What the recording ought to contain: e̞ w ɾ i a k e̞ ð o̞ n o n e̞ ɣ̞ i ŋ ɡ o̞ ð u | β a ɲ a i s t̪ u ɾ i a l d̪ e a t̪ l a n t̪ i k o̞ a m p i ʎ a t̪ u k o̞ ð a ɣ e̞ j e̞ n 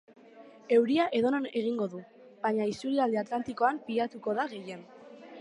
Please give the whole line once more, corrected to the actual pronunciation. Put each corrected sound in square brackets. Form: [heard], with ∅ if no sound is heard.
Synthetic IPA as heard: e̞ w ɾ i a [ʔ] e̞ ð o̞ n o n e̞ ɣ̞ i ŋ ɡ o̞ ð u | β a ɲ a i s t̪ u ɾ i a l d̪ e a t̪ l a n t̪ i k o̞ a m p i ʎ a t̪ u k o̞ ð a ɣ e̞ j e̞ n